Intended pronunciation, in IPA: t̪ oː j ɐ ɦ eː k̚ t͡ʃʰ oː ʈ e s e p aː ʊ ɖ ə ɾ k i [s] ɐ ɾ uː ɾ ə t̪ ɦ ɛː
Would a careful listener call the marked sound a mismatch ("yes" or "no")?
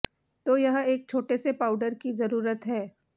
yes